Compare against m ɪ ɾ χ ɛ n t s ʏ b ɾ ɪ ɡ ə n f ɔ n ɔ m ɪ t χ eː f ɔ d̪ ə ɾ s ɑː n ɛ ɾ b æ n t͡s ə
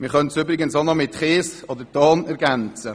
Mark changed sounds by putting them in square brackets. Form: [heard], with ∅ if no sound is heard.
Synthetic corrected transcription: m ɪ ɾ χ [œ] n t s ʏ b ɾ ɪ ɡ ə n [s] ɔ n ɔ m ɪ t χ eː [s] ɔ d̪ ə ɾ [t] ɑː n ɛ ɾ [ɡ] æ n t͡s ə